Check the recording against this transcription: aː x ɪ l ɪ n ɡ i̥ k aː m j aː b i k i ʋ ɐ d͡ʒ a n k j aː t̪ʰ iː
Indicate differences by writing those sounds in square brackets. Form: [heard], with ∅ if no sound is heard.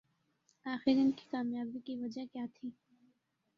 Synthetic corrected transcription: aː x ɪ [ɾ] ɪ n [k] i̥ k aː m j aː b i k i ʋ ɐ d͡ʒ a [∅] k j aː t̪ʰ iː